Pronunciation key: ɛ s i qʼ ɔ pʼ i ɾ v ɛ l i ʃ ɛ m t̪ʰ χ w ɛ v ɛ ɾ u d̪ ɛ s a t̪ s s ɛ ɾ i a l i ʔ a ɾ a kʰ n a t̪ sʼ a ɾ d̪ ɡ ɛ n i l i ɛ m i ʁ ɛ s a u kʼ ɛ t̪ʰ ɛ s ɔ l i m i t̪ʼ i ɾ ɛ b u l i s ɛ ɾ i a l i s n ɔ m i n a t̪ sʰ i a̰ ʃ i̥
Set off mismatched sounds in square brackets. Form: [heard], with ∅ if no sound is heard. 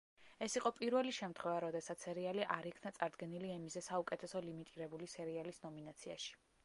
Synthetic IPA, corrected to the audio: ɛ s i qʼ ɔ pʼ i ɾ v ɛ l i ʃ ɛ m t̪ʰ χ w ɛ v [a] ɾ [ɔ] d̪ ɛ s a t̪ s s ɛ ɾ i a l i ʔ a ɾ [i] kʰ n a t̪ sʼ a ɾ d̪ ɡ ɛ n i l i ɛ m i [z] ɛ s a u kʼ ɛ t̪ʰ ɛ s ɔ l i m i t̪ʼ i ɾ ɛ b u l i s ɛ ɾ i a l i s n ɔ m i n a t̪ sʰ i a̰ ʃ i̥